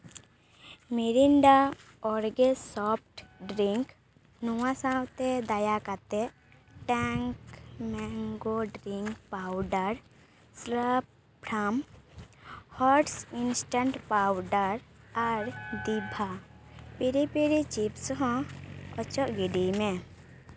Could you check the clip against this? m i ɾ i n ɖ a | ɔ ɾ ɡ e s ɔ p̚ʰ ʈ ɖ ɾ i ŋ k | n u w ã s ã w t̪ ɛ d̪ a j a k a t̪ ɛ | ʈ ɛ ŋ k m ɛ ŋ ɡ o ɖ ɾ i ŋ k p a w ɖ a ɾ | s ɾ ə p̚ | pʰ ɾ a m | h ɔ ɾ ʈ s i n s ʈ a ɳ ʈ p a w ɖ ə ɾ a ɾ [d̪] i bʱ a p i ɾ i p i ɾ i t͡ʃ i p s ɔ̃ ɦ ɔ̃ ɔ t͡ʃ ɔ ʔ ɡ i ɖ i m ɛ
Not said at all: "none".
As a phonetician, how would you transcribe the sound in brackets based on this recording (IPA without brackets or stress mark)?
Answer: d̪